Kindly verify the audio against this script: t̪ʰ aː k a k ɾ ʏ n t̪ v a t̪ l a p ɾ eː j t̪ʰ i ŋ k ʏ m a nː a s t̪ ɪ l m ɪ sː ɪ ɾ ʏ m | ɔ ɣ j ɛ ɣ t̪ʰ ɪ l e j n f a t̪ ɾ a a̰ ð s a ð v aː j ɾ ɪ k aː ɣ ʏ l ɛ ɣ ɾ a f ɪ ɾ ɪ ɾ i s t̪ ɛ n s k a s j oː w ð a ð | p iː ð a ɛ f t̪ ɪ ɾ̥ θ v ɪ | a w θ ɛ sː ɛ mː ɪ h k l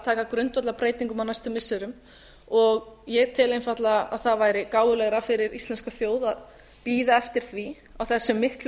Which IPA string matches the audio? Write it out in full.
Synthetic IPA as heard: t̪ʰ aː k a k ɾ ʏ n t̪ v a t̪ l a p ɾ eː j t̪ i ŋ k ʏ m a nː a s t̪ ɪ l m ɪ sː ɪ ɾ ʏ m | ɔ ɣ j ɛ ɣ t̪ʰ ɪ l e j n f a t̪ l a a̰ ð θ a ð v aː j ɾ ɪ k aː w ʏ l ɛ ɣ ɾ a f ɪ ɾ ɪ ɾ i s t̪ ɛ n s k a θ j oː w ð a ð | p iː ð a ɛ f t̪ ɪ ɾ̥ θ v i | a w θ ɛ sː ɛ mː ɪ h k l